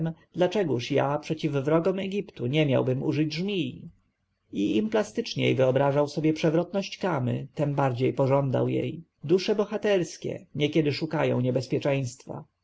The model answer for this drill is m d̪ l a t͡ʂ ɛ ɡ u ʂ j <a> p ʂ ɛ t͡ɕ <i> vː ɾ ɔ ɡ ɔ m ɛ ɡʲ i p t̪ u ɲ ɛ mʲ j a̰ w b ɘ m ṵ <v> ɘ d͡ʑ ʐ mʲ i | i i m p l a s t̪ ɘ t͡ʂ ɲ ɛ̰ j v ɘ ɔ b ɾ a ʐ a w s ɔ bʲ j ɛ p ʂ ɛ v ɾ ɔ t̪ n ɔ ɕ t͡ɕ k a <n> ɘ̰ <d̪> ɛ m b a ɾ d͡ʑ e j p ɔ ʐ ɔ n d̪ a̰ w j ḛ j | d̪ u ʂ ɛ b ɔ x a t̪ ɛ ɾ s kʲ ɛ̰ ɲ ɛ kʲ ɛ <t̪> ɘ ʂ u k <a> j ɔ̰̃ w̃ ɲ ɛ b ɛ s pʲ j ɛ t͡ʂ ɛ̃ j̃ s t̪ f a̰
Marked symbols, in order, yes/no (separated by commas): yes, yes, no, no, no, no, yes